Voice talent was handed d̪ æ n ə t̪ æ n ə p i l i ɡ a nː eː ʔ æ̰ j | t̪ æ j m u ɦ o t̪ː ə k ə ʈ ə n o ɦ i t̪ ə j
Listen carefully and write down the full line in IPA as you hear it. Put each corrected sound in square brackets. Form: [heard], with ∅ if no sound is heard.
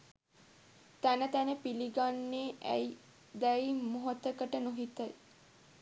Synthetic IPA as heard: [t̪] æ n ə t̪ æ n ə p i l i ɡ a nː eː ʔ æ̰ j | [d̪] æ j m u ɦ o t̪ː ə k ə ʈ ə n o ɦ i t̪ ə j